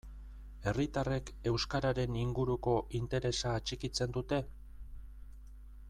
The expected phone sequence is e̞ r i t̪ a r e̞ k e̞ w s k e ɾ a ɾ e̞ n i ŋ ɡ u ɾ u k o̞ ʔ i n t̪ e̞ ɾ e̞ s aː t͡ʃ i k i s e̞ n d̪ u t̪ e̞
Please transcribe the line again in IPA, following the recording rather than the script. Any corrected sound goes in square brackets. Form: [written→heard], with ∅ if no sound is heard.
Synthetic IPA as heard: e̞ r i t̪ a r e̞ k e̞ w s k [e→a] ɾ a ɾ e̞ n i ŋ ɡ u ɾ u k o̞ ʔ i n t̪ e̞ ɾ e̞ s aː t͡ʃ i k i [s→t͡s] e̞ n d̪ u t̪ e̞